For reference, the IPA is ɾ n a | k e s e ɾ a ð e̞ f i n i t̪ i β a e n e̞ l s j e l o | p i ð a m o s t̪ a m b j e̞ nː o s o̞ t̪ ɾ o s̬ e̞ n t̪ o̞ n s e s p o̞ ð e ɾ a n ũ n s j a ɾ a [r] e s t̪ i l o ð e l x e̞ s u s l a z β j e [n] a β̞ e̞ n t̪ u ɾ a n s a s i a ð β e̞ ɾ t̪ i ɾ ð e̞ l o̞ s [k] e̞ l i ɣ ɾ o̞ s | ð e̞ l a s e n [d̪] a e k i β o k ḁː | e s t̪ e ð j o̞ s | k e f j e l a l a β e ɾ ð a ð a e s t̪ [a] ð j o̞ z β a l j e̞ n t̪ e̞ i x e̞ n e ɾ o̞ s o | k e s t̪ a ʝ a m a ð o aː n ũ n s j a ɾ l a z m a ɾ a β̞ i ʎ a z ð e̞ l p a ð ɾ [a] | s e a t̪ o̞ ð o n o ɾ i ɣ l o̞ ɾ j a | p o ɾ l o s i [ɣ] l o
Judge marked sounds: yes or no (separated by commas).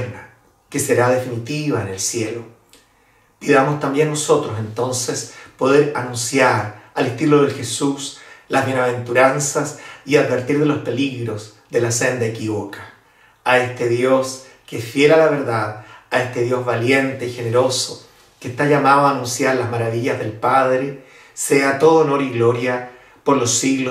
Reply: no, yes, no, yes, no, no, yes